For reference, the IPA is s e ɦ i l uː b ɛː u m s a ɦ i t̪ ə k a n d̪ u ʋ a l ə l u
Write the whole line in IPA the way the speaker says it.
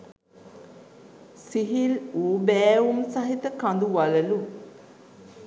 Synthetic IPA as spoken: s i ɦ i l uː b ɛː u m s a ɦ i t̪ ə k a n d̪ u ʋ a l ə l u

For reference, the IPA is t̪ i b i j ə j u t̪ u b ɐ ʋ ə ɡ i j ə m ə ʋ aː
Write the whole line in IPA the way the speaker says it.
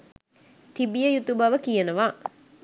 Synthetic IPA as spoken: t̪ i b i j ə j u t̪ u b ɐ ʋ ə k i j ə n ə ʋ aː

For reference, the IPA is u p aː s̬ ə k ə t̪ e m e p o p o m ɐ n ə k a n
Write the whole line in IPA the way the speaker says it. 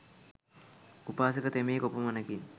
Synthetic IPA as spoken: u p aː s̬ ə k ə t̪ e m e k o p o m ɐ n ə k i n

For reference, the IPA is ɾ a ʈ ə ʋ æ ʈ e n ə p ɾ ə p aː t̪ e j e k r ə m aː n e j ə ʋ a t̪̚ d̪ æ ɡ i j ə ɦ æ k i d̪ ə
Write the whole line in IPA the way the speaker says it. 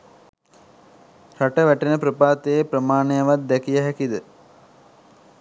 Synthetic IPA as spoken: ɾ a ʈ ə ʋ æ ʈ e n ə p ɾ ə p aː t̪ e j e p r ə m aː n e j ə ʋ a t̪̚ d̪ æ k i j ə ɦ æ k i d̪ ə

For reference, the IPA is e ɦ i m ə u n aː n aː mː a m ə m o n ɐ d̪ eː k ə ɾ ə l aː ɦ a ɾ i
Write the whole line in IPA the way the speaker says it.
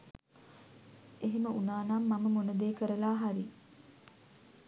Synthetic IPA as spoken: e ɦ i m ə u n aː n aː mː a m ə m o n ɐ d̪ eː k ə ɾ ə l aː ɦ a ɾ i

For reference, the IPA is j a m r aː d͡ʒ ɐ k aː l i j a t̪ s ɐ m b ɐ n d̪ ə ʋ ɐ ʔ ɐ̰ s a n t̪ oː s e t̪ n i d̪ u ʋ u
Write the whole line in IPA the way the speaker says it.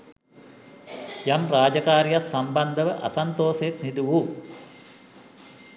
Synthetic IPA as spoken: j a m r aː d͡ʒ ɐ k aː ɾ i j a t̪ s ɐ m b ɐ n d̪ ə ʋ ə ʔ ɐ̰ s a n t̪ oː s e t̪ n i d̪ u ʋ u

